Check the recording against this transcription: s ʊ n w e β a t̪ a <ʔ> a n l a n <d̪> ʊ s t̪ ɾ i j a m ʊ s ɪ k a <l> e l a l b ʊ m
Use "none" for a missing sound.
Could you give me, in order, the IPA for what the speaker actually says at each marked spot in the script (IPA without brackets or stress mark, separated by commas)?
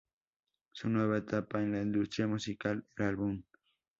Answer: p, d̪, l